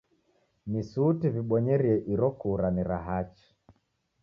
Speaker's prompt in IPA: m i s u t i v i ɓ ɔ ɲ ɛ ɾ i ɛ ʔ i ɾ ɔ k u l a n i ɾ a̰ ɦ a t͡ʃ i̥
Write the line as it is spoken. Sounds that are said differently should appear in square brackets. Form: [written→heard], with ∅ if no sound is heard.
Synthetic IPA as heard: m i s u t i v i ɓ ɔ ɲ ɛ ɾ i ɛ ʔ i ɾ ɔ k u [l→ɾ] a n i ɾ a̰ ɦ a t͡ʃ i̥